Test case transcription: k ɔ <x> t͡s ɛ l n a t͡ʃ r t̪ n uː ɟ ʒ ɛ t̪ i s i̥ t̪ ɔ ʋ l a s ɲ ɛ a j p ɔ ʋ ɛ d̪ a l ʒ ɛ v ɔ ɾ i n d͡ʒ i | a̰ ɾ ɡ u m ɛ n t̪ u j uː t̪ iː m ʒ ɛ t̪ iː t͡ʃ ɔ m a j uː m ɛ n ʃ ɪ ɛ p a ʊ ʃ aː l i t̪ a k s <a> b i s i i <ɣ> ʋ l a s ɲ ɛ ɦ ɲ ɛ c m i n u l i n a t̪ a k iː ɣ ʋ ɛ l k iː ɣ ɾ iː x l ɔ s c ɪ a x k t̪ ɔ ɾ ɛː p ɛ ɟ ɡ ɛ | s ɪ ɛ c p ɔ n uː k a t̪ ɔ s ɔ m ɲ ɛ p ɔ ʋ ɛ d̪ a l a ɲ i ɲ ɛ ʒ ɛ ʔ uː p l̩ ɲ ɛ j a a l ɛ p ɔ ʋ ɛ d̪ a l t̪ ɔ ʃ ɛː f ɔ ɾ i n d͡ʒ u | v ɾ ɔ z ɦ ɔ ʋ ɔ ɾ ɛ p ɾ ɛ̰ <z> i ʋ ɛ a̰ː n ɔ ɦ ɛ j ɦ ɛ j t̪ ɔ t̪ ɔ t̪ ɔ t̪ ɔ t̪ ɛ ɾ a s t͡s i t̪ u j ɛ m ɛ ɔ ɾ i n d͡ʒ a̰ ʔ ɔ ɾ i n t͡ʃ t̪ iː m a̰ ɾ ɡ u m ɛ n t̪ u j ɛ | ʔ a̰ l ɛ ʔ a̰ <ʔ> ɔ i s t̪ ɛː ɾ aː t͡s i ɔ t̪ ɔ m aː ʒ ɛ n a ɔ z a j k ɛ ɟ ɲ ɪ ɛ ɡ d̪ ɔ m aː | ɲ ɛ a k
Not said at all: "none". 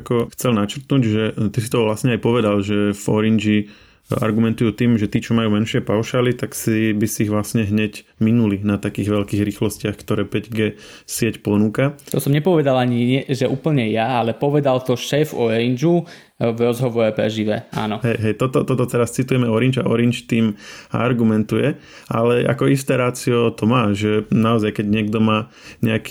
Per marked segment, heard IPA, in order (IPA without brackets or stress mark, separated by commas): x, i, ɣ, ʒ, k